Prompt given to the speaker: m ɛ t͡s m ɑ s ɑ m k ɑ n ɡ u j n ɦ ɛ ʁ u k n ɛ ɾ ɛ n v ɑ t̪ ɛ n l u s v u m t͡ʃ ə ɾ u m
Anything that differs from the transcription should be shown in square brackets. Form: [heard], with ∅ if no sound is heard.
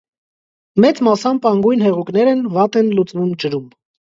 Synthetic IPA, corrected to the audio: m ɛ t͡s m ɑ s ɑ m [p] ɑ [ŋ] ɡ u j n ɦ ɛ ʁ u k n ɛ ɾ ɛ n v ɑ t̪ ɛ n l u [t͡s] v u m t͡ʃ ə ɾ u m